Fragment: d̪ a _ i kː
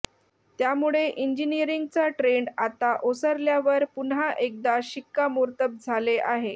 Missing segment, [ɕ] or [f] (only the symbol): ɕ